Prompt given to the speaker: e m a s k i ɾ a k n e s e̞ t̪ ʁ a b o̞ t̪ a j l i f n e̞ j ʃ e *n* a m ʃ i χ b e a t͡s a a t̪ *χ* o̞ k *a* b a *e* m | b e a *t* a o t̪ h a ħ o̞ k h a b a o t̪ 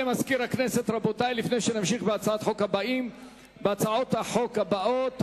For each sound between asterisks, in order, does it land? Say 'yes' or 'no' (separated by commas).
yes, no, yes, no, no